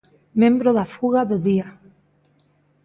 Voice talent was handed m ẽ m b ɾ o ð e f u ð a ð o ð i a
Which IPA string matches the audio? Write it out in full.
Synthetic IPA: m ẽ m b ɾ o ð a f u ɣ a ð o ð i a